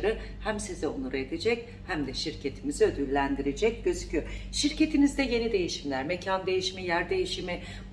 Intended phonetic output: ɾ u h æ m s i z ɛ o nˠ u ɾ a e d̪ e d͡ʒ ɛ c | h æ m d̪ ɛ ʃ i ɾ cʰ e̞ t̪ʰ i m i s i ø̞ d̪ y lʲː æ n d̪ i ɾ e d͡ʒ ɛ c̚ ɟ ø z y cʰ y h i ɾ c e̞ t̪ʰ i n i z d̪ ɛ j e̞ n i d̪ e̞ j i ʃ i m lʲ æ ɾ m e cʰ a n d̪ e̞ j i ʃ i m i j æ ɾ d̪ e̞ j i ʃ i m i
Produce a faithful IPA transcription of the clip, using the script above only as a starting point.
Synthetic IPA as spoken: ɾ ɯ h æ m s i z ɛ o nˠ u ɾ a e d̪ e d͡ʒ ɛ c | h æ m d̪ ɛ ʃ i ɾ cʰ e̞ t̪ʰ i m i z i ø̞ d̪ y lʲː æ n d̪ i ɾ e d͡ʒ ɛ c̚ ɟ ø z y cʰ y ʃ i ɾ c e̞ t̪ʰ i n i z d̪ ɛ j e̞ n i d̪ e̞ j i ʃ i m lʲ æ ɾ m e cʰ a n d̪ e̞ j i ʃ i m i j æ ɾ d̪ e̞ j i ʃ i m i